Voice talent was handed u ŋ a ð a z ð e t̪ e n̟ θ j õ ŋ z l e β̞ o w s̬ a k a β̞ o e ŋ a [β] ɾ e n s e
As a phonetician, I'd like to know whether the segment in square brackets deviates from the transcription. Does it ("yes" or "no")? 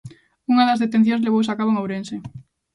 yes